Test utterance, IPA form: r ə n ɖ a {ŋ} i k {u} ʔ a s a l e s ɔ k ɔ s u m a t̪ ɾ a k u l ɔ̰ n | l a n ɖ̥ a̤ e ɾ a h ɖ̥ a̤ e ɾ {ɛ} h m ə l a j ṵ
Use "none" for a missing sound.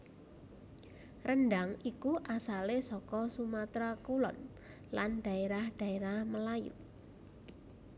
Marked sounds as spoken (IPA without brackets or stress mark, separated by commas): ŋ, u, a